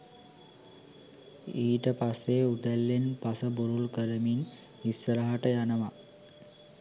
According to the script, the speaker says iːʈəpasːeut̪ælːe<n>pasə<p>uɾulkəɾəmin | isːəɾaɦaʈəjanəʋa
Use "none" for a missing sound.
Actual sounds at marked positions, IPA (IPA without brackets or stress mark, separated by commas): n, b